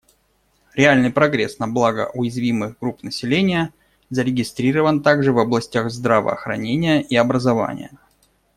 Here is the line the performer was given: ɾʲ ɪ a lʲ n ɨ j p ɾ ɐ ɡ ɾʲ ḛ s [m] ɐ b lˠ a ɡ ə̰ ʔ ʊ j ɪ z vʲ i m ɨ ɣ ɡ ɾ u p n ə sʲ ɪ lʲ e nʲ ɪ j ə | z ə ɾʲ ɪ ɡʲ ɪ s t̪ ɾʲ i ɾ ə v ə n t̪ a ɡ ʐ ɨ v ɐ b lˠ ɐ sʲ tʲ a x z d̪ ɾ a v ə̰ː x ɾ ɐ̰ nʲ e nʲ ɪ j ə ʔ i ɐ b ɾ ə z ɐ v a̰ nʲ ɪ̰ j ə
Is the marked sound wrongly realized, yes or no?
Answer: yes